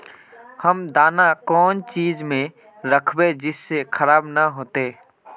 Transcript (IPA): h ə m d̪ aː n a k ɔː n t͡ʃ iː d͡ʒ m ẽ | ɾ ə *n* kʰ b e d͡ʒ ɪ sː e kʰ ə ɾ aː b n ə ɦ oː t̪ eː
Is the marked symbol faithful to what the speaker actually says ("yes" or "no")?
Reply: no